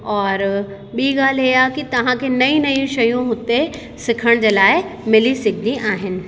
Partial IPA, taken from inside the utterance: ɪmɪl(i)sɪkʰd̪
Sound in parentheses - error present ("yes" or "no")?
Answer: no